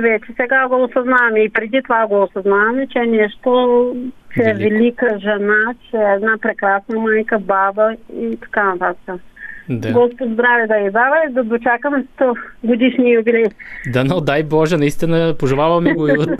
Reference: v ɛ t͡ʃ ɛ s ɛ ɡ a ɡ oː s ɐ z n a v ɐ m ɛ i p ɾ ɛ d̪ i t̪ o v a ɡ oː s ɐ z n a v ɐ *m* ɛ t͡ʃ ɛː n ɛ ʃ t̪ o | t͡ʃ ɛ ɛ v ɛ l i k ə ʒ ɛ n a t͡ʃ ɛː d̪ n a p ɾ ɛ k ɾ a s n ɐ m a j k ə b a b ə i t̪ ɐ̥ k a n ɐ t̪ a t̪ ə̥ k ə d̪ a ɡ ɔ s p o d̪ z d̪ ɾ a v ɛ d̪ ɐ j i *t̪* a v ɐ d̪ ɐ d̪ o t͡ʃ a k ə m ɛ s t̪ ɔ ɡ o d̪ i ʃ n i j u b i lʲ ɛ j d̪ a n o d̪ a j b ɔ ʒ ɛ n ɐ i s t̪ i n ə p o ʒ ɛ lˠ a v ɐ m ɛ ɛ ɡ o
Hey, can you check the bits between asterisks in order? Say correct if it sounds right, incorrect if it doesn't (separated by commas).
correct, incorrect